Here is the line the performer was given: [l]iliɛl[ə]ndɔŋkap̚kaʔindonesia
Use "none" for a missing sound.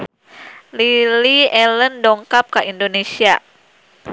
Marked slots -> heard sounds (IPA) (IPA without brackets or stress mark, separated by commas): l, ə